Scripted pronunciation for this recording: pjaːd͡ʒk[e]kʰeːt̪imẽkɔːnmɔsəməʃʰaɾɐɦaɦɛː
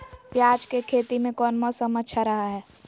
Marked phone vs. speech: correct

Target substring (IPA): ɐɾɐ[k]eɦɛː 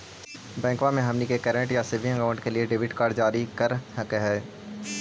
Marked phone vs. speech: correct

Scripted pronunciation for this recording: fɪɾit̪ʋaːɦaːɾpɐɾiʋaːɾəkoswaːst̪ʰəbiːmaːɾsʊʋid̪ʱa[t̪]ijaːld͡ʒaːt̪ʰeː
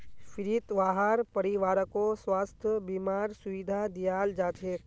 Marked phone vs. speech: incorrect: d̪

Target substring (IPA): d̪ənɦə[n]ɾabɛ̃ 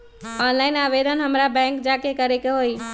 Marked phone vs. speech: incorrect: m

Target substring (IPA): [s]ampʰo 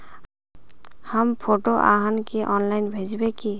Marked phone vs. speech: incorrect: h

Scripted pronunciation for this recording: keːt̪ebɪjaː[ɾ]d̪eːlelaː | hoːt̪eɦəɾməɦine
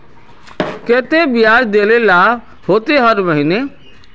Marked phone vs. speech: correct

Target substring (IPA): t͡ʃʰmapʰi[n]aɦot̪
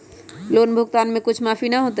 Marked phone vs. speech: correct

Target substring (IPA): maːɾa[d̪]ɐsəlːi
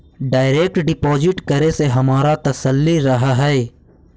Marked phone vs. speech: incorrect: t̪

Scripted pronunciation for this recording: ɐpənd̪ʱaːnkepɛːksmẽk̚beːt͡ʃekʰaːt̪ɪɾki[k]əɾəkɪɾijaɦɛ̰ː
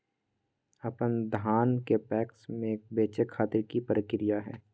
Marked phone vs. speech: incorrect: p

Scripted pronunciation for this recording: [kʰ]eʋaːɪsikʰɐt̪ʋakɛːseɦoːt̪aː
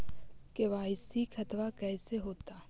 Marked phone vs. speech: incorrect: k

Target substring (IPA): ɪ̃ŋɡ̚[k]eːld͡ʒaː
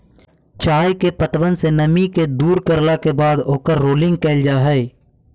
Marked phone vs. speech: correct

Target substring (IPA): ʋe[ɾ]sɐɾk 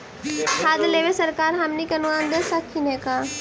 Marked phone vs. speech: incorrect: none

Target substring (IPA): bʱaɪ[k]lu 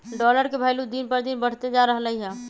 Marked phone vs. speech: incorrect: none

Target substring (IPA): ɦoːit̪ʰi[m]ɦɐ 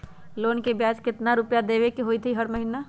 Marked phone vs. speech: incorrect: none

